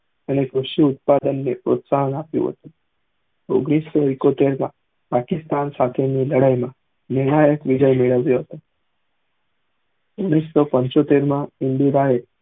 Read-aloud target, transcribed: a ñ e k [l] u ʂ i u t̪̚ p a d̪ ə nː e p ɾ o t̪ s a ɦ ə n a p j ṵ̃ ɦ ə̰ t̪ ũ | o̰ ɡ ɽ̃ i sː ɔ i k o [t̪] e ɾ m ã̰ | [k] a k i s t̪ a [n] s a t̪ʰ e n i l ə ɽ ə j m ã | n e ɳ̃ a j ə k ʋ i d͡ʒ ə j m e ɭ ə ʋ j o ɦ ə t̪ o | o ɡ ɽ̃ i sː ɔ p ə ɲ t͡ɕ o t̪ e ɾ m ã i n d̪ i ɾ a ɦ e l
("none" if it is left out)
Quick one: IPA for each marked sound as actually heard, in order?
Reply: ɾ, t̪, p, n

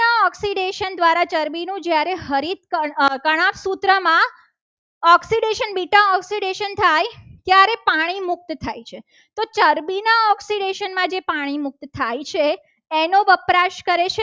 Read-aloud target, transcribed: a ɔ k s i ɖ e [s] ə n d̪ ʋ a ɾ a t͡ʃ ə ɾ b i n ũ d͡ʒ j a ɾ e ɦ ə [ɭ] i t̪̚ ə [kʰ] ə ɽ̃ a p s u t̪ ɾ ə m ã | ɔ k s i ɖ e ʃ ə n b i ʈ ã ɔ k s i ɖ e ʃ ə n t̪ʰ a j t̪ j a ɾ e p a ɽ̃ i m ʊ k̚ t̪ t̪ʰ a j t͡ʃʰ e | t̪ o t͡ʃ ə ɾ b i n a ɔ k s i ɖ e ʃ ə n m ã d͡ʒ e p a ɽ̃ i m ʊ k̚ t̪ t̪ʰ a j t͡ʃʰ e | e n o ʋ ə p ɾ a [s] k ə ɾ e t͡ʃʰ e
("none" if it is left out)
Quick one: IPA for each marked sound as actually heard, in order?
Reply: ʃ, ɾ, k, ʃ

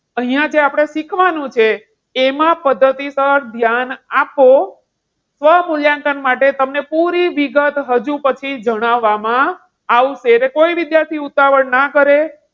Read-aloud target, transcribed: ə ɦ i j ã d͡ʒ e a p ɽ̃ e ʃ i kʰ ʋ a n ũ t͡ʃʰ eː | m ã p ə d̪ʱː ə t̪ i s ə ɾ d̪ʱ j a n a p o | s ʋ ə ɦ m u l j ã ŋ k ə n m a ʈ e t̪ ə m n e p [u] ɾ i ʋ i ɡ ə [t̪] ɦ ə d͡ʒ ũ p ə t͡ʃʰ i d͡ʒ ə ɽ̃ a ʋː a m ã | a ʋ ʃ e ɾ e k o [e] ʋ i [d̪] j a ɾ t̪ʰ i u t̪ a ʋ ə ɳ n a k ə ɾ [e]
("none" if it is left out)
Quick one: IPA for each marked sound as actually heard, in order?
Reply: u, t̪, i, d̪, e

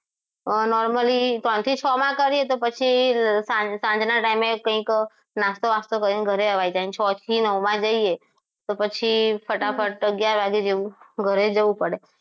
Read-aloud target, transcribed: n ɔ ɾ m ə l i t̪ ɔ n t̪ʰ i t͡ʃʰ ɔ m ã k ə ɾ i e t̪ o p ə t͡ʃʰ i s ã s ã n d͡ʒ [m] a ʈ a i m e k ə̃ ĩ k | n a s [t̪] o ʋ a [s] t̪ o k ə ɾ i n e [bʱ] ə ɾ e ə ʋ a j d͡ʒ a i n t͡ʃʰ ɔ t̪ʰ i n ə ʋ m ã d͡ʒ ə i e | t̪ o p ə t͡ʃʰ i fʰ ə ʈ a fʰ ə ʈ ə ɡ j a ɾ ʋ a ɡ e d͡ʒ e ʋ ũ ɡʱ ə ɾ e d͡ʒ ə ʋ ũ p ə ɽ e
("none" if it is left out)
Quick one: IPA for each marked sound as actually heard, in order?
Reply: n, t̪, s, ɡʱ

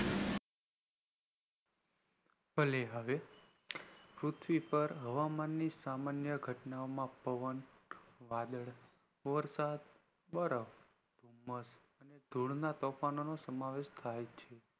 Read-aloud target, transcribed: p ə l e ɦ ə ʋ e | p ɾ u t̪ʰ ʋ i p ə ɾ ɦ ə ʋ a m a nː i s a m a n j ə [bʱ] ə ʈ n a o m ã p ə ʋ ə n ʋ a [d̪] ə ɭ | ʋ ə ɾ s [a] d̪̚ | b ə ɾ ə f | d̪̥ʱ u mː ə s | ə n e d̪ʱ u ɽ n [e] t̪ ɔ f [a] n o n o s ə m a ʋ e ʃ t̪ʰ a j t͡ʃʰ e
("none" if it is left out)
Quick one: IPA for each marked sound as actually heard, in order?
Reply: ɡʱ, d̪, a, a, a

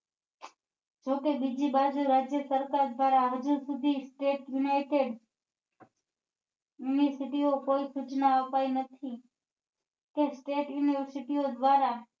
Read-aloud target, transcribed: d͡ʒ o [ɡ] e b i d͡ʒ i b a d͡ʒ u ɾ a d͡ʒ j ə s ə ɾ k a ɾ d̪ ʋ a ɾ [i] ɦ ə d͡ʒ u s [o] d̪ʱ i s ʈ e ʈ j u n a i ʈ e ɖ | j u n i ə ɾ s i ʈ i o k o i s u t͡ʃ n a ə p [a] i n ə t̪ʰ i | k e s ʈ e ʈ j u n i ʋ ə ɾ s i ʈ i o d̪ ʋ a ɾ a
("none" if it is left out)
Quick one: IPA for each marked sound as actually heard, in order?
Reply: k, a, u, a

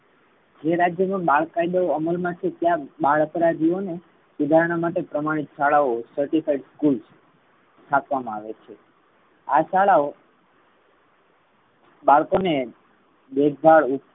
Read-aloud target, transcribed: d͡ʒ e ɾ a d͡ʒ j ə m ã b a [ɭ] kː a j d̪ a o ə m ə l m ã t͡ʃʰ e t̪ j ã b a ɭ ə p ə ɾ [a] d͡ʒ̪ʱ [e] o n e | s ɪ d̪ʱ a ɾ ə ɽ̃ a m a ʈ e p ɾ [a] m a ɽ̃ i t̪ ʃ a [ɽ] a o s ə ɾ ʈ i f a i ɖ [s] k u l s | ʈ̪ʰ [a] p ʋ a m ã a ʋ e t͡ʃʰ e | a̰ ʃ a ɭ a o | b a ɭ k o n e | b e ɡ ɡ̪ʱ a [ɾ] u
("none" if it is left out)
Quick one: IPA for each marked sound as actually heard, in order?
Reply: ɭ, a, i, ə, ɭ, s, a, ɭ

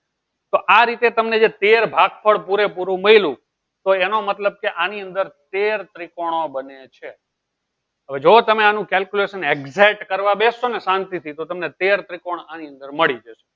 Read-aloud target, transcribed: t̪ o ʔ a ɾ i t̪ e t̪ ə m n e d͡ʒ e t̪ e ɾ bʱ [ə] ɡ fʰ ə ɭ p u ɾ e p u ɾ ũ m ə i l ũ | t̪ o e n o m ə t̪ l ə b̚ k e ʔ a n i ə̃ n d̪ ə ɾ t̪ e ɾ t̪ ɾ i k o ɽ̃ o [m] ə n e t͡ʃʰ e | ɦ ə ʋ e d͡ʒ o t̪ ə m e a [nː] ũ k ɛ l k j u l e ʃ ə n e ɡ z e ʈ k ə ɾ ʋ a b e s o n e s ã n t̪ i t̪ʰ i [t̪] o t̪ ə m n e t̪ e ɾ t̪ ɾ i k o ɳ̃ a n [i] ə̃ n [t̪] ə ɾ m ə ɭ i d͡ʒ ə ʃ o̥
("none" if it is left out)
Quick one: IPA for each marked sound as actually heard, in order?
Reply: a, b, n, t̪, i, d̪

